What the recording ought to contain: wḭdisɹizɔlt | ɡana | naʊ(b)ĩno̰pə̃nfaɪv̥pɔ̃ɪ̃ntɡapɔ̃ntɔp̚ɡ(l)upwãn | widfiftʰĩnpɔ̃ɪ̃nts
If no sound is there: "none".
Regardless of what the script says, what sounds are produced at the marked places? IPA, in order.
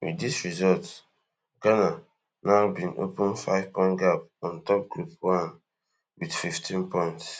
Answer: b, ɹ

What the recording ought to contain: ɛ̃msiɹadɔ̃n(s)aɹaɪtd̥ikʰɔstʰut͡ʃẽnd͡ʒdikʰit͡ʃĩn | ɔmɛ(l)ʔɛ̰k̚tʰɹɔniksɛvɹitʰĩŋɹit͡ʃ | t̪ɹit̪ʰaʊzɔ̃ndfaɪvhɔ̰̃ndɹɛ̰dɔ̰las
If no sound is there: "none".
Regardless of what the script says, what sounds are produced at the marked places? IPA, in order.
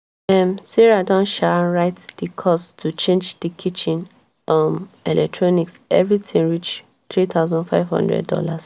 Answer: ʃ, l

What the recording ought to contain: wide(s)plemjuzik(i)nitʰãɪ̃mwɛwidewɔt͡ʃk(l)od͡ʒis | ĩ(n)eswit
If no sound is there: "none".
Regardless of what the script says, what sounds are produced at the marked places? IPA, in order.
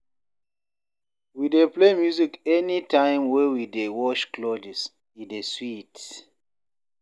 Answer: none, ɛ, l, d

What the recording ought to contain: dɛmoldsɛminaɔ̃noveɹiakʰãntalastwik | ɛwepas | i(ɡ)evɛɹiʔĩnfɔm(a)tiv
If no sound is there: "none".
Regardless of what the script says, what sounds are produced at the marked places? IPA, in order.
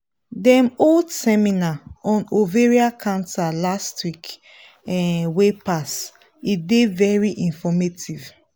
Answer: d, e

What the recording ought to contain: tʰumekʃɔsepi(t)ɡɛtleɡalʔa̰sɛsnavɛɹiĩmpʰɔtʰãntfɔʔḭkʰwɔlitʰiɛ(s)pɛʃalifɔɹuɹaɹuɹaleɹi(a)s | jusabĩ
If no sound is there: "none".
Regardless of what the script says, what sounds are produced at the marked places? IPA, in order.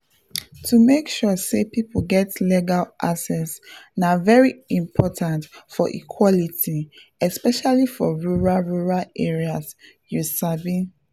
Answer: p, s, a

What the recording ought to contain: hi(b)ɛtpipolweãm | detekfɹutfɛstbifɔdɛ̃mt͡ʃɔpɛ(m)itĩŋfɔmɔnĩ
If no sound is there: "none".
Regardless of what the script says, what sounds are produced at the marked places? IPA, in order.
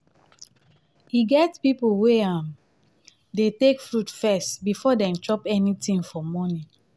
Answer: ɡ, n

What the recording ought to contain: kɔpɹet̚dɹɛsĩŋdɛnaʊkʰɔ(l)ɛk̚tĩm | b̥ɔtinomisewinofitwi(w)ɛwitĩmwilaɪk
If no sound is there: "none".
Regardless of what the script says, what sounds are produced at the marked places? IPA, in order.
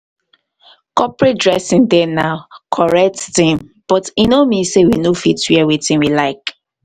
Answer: ɹ, none

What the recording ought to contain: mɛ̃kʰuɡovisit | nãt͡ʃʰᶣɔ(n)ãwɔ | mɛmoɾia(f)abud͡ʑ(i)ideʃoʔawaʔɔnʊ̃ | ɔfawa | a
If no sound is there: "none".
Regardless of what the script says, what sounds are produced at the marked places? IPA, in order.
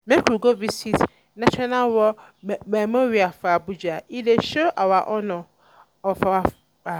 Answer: n, f, a

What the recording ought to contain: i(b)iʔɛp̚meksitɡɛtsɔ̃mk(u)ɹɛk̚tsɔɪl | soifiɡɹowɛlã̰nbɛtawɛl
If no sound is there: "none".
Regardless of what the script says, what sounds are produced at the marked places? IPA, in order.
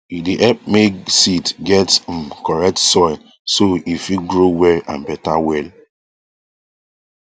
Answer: d, ɔ

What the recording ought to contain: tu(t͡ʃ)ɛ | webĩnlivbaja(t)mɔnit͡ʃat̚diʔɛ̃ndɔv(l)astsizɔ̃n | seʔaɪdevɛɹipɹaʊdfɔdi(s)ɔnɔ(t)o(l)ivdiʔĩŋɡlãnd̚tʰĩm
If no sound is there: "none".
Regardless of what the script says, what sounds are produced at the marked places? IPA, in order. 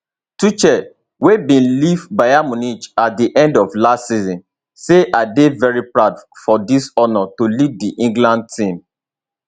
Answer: t͡ʃ, none, l, s, t, l

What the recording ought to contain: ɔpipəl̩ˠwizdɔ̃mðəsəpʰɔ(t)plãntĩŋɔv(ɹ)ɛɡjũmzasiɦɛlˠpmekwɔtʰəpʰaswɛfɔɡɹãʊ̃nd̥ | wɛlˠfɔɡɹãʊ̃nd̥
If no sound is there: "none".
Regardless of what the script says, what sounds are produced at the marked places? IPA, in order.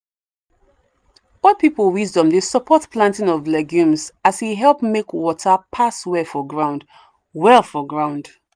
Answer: t, l

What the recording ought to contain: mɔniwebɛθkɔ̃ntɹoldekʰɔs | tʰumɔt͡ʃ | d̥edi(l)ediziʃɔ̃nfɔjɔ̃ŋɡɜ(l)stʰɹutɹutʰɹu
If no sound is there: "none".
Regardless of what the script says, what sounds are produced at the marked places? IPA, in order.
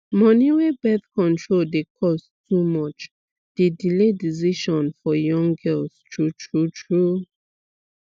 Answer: l, l

